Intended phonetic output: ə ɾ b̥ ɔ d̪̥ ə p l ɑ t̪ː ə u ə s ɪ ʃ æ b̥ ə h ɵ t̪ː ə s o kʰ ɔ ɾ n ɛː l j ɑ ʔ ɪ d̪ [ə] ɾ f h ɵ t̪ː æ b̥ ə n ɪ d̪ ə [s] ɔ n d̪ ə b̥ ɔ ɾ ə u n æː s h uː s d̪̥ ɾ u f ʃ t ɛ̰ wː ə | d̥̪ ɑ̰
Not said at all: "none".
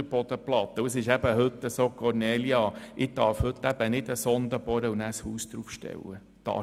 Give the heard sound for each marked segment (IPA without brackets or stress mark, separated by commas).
ɑ, s